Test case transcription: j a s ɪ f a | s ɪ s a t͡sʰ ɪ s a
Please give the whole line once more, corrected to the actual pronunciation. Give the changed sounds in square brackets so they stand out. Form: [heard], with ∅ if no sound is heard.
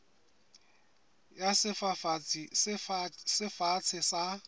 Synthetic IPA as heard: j a s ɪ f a | s ɪ [f] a t͡sʰ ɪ s a

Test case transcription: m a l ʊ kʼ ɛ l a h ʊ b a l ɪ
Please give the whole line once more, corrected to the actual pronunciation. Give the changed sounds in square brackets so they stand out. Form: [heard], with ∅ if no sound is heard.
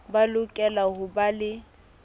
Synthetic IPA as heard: [b] a l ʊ kʼ ɛ l a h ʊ b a l ɪ

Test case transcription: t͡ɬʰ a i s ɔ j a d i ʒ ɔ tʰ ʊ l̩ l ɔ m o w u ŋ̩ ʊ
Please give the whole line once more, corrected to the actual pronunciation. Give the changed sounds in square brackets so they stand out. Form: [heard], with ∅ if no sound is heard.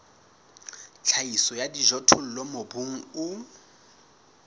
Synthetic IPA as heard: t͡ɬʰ a i s ɔ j a d i ʒ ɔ tʰ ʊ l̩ l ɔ m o [b] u ŋ̩ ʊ

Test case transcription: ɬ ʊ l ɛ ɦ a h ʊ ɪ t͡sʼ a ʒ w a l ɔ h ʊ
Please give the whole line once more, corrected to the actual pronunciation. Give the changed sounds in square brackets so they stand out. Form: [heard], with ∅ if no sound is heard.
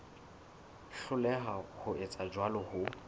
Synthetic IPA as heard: ɬ ʊ l ɛ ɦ a h ʊ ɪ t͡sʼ a [d͡ʒ] w a l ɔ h ʊ

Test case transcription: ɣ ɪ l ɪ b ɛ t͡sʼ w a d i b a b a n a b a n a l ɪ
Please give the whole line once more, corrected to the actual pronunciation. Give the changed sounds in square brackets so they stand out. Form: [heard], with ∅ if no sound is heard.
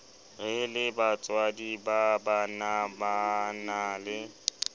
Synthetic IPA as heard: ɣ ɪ l ɪ b [a] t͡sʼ w a d i b a b a n a b a n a l ɪ

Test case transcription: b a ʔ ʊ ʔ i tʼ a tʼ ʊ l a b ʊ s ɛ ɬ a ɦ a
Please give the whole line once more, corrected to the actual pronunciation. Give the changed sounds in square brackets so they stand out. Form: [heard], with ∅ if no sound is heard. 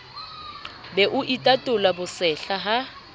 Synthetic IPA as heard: b [ɛ] ʔ ʊ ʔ i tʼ a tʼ ʊ l a b ʊ s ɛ ɬ a ɦ a

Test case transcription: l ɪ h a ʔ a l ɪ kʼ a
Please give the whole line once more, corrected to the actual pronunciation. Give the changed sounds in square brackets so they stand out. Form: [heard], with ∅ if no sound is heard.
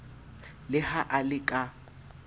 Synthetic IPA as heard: l ɪ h a ʔ a l ɪ kʼ a

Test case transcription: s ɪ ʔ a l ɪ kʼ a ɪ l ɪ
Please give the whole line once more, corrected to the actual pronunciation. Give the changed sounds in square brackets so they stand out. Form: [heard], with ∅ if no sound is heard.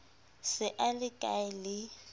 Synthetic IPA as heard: s ɪ ʔ a l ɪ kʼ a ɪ l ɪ

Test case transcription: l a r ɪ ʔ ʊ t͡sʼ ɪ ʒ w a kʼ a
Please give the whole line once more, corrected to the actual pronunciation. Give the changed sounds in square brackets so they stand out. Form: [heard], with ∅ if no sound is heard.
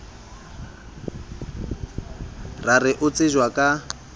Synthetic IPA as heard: [r] a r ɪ ʔ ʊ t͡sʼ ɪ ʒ w a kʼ a

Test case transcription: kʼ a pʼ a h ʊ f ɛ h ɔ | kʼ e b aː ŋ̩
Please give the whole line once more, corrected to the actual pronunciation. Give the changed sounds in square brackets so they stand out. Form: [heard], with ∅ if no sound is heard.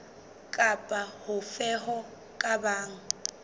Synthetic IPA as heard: kʼ a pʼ a h ʊ f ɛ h ɔ | kʼ [a] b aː ŋ̩

